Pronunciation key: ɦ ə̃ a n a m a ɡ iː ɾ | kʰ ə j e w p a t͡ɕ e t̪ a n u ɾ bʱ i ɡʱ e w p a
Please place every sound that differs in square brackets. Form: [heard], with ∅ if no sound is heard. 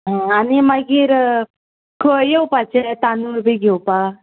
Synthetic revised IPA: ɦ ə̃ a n [i] m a ɡ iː ɾ | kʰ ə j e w p a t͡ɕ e t̪ a n u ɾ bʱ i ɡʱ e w p a